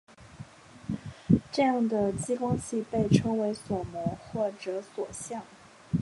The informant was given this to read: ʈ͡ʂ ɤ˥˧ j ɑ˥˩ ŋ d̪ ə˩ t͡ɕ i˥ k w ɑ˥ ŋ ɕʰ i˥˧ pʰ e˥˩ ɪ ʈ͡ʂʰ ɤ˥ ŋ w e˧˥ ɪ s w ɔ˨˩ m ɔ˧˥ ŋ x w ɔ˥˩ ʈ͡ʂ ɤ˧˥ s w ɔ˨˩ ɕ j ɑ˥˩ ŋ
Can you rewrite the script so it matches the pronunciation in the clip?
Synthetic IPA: ʈ͡ʂ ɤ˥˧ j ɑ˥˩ ŋ d̪ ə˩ t͡ɕ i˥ k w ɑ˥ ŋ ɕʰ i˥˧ p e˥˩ ɪ ʈ͡ʂʰ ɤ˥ ŋ w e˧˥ ɪ s w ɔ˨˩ m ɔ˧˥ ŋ x w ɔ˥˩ ʈ͡ʂ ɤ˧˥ s w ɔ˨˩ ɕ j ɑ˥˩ ŋ